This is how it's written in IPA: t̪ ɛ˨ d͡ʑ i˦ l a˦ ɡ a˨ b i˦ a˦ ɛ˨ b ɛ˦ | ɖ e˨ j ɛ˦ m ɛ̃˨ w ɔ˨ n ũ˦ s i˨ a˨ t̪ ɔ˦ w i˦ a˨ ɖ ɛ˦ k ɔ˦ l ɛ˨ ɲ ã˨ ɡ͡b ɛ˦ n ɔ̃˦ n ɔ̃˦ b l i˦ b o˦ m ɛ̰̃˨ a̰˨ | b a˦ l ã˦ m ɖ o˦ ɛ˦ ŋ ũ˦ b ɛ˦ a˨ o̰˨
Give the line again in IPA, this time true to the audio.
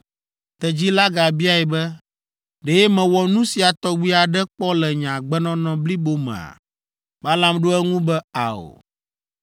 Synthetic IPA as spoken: t̪ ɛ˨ d͡ʑ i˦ l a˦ ɡ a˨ b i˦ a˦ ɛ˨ b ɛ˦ | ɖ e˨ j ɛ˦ m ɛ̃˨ w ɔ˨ n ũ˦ s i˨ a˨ t̪ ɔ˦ w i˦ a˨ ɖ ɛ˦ k͡p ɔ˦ l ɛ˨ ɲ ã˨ ɡ͡b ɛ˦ n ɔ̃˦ n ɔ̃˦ b l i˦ b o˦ m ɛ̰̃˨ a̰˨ | b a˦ l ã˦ m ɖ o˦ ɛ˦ ŋ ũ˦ b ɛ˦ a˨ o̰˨

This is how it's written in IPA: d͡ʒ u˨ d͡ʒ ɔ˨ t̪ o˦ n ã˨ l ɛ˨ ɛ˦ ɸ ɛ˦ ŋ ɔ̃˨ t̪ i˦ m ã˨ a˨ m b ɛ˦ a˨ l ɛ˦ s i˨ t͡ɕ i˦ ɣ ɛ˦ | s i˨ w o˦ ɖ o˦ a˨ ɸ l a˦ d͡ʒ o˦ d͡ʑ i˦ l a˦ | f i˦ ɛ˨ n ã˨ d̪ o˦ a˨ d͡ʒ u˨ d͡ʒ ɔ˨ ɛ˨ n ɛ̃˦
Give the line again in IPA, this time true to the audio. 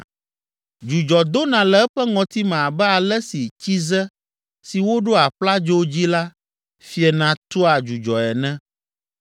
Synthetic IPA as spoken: d͡ʒ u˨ d͡ʒ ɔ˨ d̪ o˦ n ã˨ l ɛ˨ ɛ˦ ɸ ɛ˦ ŋ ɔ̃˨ t̪ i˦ m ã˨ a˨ b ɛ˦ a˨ l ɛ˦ s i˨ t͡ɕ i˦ z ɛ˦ | s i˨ w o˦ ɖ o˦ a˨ ɸ l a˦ d͡ʒ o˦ d͡ʑ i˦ l a˦ | f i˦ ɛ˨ n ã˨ t̪ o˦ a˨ d͡ʒ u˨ d͡ʒ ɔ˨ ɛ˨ n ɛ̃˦

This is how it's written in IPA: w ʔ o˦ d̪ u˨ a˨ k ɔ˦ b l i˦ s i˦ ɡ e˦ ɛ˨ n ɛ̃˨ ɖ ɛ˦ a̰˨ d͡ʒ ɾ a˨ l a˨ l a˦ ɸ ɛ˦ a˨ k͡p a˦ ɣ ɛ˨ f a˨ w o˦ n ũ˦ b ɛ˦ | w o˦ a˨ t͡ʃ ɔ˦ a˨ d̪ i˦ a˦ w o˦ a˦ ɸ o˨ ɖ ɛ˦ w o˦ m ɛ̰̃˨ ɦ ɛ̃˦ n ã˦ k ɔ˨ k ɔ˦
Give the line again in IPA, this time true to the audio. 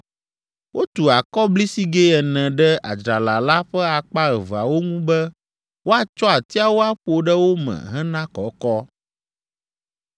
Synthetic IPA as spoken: w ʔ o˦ t̪ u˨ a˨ k ɔ˦ b l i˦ s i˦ ɡ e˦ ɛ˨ n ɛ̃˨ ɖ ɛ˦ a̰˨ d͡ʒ ɾ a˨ l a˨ l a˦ ɸ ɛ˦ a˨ k͡p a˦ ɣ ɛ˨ v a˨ w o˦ ŋ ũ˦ b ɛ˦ | w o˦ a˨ t͡ʃ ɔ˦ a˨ t̪ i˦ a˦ w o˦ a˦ ɸ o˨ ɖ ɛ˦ w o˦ m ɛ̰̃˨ ɦ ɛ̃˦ n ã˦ k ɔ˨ k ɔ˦

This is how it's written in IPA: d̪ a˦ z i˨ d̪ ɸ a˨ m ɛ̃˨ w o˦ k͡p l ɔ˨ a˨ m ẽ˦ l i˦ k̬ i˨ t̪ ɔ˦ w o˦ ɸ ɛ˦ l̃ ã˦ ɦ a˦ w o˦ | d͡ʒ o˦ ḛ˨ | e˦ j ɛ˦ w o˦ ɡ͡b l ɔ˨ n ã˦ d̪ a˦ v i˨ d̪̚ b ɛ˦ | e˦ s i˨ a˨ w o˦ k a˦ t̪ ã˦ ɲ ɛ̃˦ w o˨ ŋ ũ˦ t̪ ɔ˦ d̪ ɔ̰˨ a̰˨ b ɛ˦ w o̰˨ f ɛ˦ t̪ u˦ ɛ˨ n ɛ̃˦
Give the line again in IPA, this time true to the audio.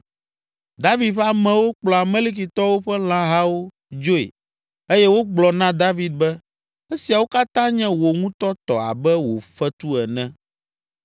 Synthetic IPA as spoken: d̪ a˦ v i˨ d̪ ɸ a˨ m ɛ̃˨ w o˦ k͡p l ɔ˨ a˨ m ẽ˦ l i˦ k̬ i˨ t̪ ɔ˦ w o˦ ɸ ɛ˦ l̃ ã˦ ɦ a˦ w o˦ | d͡ʒ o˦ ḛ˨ | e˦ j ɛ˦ w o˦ ɡ͡b l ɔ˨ n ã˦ d̪ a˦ v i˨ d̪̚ b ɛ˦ | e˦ s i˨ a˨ w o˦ k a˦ t̪ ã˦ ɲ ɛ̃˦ w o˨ ŋ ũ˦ t̪ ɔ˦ t̪ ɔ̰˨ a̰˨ b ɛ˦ w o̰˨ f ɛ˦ t̪ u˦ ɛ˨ n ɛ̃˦

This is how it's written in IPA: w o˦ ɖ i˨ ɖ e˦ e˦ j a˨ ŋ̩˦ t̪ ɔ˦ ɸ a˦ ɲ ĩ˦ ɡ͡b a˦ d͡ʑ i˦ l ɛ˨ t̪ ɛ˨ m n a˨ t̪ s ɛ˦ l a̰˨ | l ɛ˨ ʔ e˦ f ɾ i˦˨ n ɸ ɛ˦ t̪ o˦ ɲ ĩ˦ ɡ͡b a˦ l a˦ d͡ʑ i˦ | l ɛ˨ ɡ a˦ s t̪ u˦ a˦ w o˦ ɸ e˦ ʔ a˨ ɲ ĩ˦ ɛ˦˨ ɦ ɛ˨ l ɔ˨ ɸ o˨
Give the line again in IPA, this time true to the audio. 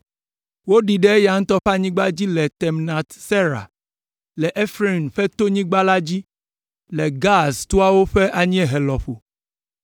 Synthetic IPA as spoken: w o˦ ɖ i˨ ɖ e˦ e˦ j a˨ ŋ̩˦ t̪ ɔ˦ ɸ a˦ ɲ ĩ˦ ɡ͡b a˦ d͡ʑ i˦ l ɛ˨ t̪ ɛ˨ m n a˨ t̪ s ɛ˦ ɾ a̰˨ | l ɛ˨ ʔ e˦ f ɾ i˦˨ n ɸ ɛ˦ t̪ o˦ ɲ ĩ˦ ɡ͡b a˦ l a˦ d͡ʑ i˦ | l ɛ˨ ɡ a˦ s t̪ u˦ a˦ w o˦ ɸ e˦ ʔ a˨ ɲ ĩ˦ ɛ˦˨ ɦ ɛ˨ l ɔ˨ ɸ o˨

